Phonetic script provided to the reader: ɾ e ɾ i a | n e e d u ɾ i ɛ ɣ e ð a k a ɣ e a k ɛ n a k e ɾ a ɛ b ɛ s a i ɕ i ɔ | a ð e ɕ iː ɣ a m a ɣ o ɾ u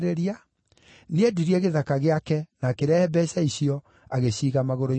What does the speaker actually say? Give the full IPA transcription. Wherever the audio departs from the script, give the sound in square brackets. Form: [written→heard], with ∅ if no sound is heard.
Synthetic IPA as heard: ɾ e ɾ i a | n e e d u ɾ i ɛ ɣ e ð a k a ɣ e a k ɛ n a k e ɾ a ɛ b ɛ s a i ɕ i ɔ | a [ð→ɣ] e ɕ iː ɣ a m a ɣ o ɾ [u→o]